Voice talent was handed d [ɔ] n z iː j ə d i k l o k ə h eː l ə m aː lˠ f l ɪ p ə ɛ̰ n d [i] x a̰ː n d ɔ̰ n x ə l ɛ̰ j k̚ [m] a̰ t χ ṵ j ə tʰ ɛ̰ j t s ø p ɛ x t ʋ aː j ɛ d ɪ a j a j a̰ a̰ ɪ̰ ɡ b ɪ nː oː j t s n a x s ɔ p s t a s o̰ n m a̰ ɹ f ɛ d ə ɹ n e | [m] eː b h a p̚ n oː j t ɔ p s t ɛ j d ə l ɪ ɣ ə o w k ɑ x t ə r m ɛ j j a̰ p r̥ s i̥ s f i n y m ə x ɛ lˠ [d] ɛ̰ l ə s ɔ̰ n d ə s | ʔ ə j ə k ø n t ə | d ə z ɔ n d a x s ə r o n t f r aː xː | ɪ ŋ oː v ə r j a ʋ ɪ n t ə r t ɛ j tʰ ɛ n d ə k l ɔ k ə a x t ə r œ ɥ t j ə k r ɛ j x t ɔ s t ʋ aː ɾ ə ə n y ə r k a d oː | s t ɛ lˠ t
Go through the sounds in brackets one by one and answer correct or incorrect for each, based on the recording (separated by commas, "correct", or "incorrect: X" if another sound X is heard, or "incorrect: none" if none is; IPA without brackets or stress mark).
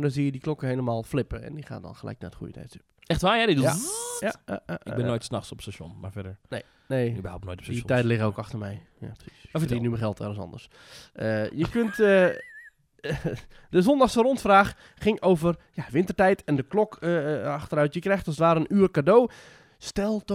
correct, correct, incorrect: n, incorrect: n, incorrect: t